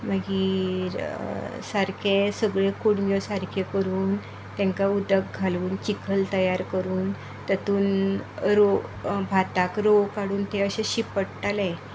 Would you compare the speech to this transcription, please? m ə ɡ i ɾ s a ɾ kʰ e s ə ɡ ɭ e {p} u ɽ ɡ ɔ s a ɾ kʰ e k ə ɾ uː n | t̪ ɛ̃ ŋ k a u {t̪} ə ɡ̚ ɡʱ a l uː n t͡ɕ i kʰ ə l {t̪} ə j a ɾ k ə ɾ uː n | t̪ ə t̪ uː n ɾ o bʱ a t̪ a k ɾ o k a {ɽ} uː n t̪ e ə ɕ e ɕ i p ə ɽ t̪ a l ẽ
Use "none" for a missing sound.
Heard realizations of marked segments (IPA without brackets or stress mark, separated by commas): k, d̪, t̪, ɽ